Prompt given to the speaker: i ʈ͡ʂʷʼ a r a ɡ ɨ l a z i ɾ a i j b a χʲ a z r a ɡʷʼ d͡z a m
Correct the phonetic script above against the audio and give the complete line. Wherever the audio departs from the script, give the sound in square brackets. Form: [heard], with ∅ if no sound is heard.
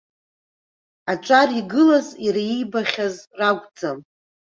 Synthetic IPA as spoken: [a] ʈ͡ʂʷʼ a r [i] ɡ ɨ l a z i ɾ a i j b a χʲ a z r a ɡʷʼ d͡z a m